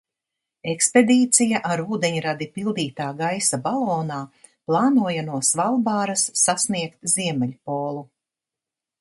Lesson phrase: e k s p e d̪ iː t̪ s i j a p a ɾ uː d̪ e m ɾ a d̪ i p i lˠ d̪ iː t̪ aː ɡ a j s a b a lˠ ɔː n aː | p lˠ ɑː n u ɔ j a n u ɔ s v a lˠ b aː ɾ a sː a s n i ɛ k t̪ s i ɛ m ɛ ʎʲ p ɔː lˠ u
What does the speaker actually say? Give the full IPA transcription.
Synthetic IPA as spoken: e k s p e d̪ iː t̪ s i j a ʔ a ɾ uː d̪ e ɲ ɾ a d̪ i p i lˠ d̪ iː t̪ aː ɡ a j s a b a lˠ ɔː n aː | p lˠ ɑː n u ɔ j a n u ɔ s v a lˠ b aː ɾ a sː a s n i ɛ k t̪ z i ɛ m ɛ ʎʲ p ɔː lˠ u